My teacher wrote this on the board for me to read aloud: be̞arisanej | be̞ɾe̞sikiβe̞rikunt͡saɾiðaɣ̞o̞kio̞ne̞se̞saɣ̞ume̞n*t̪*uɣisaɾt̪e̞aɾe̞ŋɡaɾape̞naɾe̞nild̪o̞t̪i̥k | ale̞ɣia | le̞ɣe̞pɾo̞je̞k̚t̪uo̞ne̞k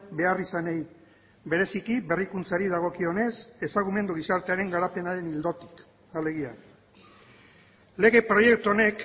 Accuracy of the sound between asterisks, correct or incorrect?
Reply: incorrect